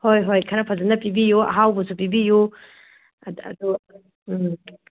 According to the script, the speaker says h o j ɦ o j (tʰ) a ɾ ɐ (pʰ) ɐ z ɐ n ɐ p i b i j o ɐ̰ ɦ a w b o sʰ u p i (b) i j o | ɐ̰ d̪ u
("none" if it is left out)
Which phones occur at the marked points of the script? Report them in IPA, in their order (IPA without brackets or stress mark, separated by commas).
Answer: kʰ, pʰ, b